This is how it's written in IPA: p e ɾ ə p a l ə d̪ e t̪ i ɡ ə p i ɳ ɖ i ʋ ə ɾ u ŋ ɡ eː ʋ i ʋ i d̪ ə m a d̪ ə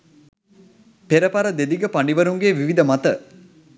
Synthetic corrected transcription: p e ɾ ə p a ɾ ə d̪ e d̪ i ɡ ə p a ɳ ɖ i ʋ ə ɾ u ŋ ɡ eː ʋ i ʋ i d̪ ə m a t̪ ə